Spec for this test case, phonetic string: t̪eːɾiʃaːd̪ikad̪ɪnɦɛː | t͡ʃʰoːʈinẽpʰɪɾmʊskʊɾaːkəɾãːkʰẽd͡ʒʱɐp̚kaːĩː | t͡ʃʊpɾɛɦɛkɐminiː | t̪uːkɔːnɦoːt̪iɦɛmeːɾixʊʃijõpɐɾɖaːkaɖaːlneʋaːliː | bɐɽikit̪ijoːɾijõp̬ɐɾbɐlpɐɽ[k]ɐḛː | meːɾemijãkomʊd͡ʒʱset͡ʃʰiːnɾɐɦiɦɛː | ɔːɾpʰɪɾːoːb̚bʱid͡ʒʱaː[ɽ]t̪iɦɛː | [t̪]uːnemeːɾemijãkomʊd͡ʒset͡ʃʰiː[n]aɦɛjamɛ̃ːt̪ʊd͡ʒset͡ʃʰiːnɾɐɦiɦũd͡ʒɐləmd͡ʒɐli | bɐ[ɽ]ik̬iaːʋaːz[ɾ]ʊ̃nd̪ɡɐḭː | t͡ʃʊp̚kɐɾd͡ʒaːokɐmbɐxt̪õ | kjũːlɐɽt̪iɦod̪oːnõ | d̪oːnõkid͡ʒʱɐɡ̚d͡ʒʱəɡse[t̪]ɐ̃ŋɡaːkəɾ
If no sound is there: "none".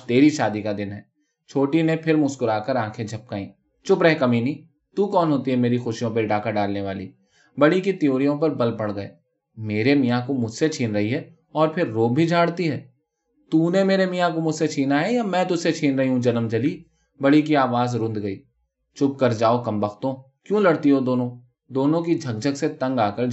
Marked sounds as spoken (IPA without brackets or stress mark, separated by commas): ɡ, ɽ, t̪, n, ɽ, ɾ, t̪